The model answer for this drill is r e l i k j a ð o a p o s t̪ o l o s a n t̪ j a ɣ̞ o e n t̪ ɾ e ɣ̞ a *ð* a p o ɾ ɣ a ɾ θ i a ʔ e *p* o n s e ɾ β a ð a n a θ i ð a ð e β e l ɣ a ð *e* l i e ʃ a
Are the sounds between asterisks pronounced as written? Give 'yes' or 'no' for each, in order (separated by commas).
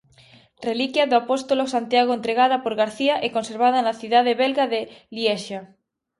yes, no, yes